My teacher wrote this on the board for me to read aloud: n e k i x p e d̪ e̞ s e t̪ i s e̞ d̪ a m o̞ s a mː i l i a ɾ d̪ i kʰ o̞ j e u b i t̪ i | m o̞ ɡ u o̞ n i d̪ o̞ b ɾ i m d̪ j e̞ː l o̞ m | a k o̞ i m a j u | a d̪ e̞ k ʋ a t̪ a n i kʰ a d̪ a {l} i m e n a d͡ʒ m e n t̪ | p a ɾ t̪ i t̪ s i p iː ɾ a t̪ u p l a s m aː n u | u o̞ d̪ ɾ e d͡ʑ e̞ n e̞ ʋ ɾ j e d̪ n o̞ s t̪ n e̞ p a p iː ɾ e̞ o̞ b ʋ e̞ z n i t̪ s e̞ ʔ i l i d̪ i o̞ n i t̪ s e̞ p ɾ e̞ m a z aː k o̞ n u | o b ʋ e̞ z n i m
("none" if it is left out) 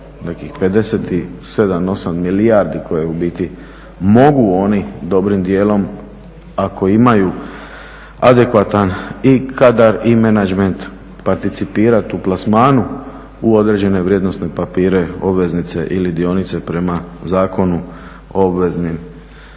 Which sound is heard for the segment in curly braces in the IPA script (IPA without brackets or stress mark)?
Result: ɾ